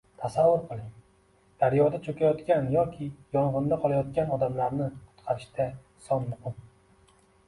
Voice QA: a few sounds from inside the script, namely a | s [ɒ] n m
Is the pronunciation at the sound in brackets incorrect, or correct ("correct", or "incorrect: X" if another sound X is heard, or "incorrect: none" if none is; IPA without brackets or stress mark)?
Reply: correct